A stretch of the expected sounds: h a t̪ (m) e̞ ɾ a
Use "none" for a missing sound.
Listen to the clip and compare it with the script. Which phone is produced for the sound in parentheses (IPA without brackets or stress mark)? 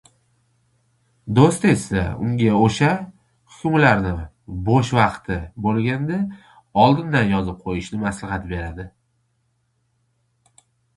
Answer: b